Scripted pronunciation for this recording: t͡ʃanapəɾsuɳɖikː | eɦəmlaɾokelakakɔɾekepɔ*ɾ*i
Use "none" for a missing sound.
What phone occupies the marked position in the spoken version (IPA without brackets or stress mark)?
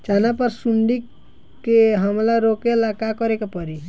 ɾ